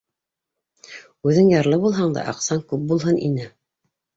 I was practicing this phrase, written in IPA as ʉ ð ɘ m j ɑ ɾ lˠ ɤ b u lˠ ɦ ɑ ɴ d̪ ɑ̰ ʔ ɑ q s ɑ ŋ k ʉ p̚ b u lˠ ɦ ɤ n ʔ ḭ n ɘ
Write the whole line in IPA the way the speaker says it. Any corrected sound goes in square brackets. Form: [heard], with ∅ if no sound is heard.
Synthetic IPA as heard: ʉ ð ɘ [ŋ] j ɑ ɾ lˠ ɤ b u lˠ ɦ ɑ ɴ d̪ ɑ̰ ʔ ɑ q s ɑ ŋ k ʉ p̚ b u lˠ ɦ ɤ n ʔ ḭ n ɘ